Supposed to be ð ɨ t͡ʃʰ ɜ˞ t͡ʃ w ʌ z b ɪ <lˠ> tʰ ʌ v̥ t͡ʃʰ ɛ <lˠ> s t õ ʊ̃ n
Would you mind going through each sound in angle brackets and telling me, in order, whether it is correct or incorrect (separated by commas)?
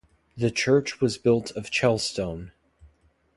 correct, correct